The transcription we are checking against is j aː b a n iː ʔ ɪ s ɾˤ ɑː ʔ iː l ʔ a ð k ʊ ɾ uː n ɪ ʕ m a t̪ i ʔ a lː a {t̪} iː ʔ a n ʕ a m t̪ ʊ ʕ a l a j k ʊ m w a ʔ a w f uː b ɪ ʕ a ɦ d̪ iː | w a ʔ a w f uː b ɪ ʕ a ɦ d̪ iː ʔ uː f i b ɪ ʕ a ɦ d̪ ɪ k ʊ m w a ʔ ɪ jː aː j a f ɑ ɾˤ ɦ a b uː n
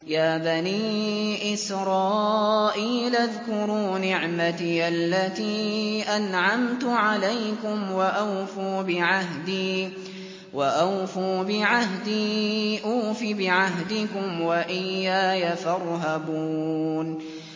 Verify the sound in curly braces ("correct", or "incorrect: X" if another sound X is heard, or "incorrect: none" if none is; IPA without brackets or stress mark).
correct